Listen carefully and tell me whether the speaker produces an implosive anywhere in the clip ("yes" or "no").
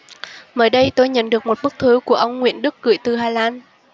yes